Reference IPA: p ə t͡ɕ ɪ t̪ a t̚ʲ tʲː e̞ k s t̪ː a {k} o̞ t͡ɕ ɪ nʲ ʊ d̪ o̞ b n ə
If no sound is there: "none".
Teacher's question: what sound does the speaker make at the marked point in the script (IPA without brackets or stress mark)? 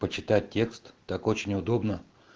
k